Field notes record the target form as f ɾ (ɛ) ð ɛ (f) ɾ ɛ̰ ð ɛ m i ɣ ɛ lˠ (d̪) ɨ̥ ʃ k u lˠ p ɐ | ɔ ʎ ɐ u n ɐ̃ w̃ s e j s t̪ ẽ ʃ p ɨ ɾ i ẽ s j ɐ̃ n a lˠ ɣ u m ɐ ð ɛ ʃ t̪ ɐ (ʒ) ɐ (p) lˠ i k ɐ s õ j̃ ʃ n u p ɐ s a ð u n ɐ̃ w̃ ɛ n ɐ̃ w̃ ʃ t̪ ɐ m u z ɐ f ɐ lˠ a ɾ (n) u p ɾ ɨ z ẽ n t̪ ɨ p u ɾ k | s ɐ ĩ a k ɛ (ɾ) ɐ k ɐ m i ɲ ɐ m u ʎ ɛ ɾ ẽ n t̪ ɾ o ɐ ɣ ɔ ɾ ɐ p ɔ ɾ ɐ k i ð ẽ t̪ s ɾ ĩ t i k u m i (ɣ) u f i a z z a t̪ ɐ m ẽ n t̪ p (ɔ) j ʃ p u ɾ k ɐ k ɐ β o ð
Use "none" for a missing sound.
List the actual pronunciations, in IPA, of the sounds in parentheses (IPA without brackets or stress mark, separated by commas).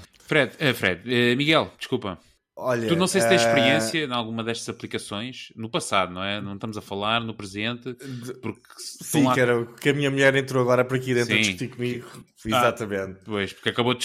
ɛ, f, d̪, z, p, n, ɾ, ɣ, o